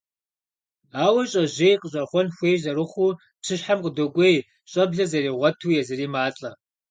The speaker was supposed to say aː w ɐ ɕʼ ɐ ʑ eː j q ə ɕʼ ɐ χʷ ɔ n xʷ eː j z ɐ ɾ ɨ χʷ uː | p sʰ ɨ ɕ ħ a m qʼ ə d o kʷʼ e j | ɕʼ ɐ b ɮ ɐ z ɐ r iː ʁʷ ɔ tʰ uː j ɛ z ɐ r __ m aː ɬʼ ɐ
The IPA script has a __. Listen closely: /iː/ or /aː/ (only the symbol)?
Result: iː